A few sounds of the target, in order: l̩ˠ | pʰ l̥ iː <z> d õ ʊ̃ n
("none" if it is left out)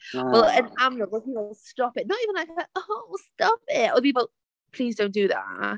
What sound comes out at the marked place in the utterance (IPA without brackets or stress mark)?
z